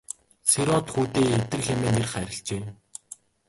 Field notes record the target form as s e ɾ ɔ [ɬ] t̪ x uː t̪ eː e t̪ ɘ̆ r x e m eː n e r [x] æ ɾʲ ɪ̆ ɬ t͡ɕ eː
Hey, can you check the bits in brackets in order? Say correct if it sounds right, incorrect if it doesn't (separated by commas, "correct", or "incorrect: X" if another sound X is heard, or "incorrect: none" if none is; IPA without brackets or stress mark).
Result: incorrect: none, incorrect: χ